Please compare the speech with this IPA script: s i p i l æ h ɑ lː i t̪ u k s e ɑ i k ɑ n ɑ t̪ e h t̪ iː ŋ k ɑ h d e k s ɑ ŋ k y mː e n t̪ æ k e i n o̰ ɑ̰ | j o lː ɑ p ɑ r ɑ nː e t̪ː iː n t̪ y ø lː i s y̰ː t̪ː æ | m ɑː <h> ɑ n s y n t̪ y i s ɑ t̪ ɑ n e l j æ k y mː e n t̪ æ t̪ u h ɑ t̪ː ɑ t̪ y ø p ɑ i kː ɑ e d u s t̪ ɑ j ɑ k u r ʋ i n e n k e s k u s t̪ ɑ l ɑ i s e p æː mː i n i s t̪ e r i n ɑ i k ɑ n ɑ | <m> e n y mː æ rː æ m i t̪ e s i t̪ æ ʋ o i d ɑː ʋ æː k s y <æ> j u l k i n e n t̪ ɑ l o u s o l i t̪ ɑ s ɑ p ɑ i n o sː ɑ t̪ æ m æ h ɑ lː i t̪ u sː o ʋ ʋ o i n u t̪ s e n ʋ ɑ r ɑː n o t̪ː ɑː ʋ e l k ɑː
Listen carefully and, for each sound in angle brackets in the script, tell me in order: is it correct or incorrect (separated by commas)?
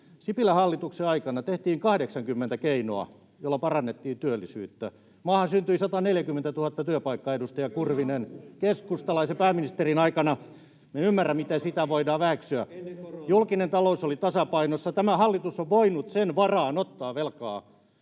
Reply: correct, correct, correct